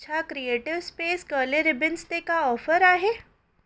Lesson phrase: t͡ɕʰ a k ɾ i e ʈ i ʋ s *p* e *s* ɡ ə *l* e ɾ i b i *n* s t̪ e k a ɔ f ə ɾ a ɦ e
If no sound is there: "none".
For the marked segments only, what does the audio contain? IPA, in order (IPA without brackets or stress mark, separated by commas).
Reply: p, s, l, n